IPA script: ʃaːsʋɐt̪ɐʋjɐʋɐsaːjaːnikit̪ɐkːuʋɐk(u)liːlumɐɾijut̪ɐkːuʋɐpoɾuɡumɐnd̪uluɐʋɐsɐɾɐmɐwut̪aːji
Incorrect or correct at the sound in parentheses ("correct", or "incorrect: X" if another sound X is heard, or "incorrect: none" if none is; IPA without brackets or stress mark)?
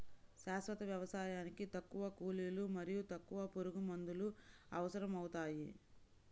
incorrect: uː